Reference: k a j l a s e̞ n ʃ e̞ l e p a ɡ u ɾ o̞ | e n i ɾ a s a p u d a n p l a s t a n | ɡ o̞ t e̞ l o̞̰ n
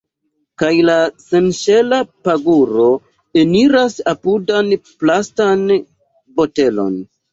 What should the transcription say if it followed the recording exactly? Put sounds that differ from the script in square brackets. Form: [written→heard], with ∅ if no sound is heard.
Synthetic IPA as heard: k a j l a s e̞ n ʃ e̞ l [e→a] p a ɡ u ɾ o̞ | e n i ɾ a s a p u d a n p l a s t a n | [ɡ→b] o̞ t e̞ l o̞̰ n

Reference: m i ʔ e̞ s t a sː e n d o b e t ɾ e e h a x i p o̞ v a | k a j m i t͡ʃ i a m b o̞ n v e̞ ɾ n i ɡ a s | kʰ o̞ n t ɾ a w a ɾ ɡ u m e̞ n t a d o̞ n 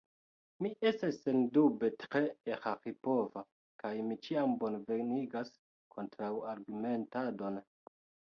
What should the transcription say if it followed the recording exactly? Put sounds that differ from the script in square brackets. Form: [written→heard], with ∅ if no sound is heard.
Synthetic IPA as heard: m i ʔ e̞ s t a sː e n d [o→u] b e t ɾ e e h a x i p o̞ v a | k a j m i t͡ʃ i a m b o̞ n v e̞ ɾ n i ɡ a s | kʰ o̞ n t ɾ a w a ɾ ɡ u m e̞ n t a d o̞ n

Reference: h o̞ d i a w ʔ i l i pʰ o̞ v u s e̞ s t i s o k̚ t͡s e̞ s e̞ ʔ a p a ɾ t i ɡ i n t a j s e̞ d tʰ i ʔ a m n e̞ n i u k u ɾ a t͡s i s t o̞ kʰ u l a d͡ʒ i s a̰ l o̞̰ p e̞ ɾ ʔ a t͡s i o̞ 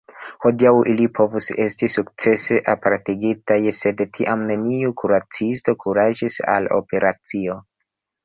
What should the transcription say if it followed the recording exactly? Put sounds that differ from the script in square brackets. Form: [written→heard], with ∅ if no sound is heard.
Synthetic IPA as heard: h o̞ d i a w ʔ i l i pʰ o̞ v u s e̞ s t i s [o→u] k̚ t͡s e̞ s e̞ ʔ a p a ɾ t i ɡ i [n→∅] t a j s e̞ d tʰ i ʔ a m n e̞ n i u k u ɾ a t͡s i s t o̞ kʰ u [l→ɾ] a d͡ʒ i s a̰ l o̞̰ p e̞ ɾ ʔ a t͡s i o̞

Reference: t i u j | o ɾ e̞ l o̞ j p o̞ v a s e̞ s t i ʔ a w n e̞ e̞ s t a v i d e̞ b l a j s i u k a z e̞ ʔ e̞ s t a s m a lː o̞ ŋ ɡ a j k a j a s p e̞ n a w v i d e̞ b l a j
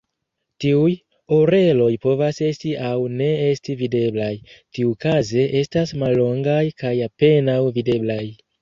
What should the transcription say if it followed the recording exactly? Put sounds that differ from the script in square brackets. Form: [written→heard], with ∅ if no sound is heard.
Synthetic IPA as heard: t i u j | o ɾ e̞ l o̞ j p o̞ v a s e̞ s t i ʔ a w n e̞ e̞ s t [a→i] v i d e̞ b l a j [s→t] i u k a z e̞ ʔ e̞ s t a s m a lː o̞ ŋ ɡ a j k a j a [s→∅] p e̞ n a w v i d e̞ b l a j

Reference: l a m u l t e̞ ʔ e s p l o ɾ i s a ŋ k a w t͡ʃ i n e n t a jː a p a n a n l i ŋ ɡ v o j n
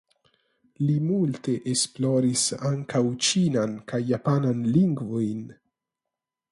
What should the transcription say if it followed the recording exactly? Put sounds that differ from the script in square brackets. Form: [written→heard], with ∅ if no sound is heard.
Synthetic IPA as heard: l [a→i] m u l t e̞ ʔ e s p l o ɾ i s a ŋ k a w t͡ʃ i n [e→a] n [t→k] a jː a p a n a n l i ŋ ɡ v o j n

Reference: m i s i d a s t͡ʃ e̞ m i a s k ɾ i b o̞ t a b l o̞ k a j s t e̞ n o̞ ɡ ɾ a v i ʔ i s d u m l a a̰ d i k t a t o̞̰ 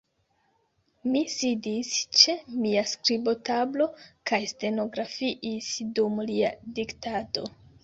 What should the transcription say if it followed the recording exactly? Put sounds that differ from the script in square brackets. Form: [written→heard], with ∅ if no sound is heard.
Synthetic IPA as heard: m i s i d [a→i] s t͡ʃ e̞ m i a s k ɾ i b o̞ t a b l o̞ k a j s t e̞ n o̞ ɡ ɾ a [v→f] i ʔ i s d u m l [a→i] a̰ d i k t a t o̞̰

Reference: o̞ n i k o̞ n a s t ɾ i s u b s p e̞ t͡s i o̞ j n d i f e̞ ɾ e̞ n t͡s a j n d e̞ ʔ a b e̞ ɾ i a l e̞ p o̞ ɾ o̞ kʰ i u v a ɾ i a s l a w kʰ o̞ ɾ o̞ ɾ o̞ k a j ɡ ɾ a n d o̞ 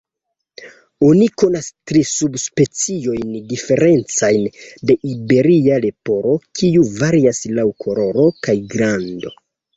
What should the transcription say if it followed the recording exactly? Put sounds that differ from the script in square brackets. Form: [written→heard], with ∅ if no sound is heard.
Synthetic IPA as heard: o̞ n i k o̞ n a s t ɾ i s u b s p e̞ t͡s i o̞ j n d i f e̞ ɾ e̞ n t͡s a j n d e̞ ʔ [a→i] b e̞ ɾ i a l e̞ p o̞ ɾ o̞ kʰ i u v a ɾ i a s l a w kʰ o̞ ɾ o̞ ɾ o̞ k a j ɡ ɾ a n d o̞

